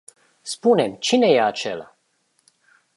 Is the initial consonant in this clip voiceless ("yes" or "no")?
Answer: yes